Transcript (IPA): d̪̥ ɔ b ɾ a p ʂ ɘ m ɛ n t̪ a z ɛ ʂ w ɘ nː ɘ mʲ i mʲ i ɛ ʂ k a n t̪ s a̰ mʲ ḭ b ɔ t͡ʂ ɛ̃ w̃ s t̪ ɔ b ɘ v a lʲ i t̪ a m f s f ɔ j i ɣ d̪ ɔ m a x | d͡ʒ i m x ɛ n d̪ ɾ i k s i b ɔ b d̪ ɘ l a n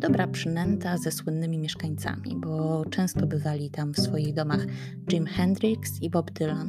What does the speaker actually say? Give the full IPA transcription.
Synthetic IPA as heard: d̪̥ ɔ b ɾ a p ʂ ɘ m ɛ n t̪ a z ɛ s w ɘ nː ɘ mʲ i mʲ j ɛ ʂ k a ɲ t̪ s a̰ mʲ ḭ b ɔ t͡ʂ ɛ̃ w̃ s t̪ ɔ b ɘ v a lʲ i t̪ a m f s f ɔ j i ɣ d̪ ɔ m a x | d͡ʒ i m x ɛ n d̪ ɾ i k s i b ɔ b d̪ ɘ l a n